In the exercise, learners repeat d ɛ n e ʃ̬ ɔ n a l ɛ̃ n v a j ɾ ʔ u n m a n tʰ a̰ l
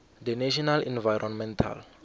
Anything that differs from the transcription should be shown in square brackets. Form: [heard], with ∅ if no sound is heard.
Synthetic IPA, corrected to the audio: d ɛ n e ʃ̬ ɔ n a l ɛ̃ n v a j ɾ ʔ [ɔ] n m [ɛ] n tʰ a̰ l